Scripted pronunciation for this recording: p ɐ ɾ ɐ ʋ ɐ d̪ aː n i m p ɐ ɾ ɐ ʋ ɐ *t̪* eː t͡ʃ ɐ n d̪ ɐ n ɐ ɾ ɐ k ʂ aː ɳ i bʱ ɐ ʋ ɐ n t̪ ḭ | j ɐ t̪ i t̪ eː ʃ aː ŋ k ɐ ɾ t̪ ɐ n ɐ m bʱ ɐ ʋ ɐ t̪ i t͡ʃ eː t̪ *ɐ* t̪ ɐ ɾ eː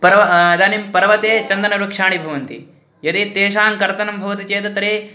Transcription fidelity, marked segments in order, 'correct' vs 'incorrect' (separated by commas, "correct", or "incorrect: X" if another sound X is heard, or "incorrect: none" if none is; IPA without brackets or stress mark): correct, correct